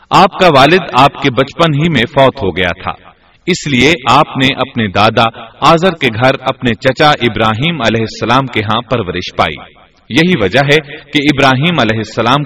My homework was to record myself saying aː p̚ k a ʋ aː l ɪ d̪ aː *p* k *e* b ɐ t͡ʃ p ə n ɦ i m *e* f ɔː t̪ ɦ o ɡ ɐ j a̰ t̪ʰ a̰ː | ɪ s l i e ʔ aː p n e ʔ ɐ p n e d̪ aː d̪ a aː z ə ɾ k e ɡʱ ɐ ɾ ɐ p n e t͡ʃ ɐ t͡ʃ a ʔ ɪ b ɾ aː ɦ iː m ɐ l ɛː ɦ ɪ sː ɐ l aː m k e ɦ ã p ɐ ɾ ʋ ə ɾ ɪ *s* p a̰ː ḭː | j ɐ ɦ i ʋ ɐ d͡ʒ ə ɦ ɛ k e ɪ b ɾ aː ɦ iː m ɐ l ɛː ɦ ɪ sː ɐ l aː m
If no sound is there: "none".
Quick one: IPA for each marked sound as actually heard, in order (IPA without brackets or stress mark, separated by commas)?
p, e, ẽ, ʃ